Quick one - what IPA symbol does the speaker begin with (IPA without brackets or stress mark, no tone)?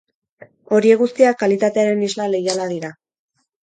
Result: o̞